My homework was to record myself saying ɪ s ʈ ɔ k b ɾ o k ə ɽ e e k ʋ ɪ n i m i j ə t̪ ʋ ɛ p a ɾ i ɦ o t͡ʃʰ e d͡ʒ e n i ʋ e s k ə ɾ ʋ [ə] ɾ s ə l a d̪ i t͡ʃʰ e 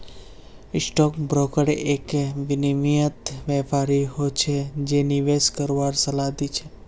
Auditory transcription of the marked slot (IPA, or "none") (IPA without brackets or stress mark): a